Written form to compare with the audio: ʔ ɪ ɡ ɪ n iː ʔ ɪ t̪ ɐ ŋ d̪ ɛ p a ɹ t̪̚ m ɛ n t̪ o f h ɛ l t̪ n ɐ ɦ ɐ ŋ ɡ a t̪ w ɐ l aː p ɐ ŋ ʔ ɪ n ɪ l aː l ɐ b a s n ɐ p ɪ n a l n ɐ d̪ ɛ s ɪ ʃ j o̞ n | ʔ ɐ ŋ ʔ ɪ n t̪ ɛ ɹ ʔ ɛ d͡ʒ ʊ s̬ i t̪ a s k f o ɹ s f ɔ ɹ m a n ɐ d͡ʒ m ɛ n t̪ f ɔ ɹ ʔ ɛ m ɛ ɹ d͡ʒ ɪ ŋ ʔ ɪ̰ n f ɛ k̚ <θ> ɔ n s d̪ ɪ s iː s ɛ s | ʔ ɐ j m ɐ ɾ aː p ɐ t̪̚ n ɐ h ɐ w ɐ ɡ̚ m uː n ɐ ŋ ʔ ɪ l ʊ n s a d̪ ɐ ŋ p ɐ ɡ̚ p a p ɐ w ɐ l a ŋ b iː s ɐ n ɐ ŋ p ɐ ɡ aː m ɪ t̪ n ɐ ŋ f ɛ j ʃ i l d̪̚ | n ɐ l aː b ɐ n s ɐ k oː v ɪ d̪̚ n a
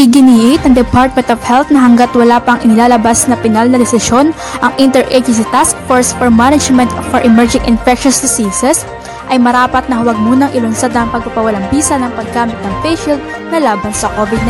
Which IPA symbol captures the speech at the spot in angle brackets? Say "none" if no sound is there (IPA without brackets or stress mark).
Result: ʃ